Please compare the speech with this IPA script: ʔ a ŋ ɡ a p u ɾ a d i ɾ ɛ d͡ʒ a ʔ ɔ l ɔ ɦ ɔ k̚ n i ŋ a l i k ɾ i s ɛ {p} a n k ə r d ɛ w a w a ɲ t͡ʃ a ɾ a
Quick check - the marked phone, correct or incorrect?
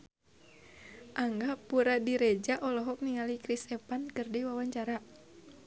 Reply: correct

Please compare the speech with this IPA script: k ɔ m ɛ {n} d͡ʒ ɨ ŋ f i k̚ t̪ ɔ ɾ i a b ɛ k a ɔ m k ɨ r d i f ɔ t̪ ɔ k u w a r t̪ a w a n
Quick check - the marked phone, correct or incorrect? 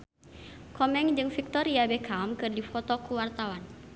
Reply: incorrect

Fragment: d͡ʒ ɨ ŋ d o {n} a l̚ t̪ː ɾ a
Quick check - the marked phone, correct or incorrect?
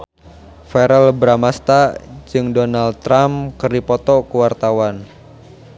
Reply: correct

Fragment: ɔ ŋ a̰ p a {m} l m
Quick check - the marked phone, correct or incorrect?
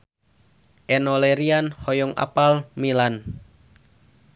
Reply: incorrect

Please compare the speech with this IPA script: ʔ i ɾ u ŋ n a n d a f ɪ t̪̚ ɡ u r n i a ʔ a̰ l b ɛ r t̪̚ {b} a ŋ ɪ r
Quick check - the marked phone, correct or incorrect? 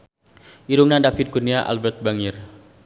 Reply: correct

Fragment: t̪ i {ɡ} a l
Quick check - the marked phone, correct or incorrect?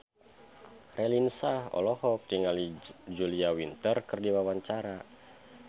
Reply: incorrect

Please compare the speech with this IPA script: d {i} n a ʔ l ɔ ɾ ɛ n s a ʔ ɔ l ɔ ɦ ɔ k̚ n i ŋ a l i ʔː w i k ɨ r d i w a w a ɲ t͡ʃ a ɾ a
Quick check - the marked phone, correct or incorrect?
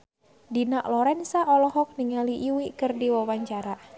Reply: correct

